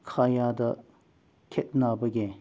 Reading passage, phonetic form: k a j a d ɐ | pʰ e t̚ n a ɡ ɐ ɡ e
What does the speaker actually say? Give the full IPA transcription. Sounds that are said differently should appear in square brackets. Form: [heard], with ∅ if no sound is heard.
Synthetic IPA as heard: [kʰ] a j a d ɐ | [kʰ] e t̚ n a [b] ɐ ɡ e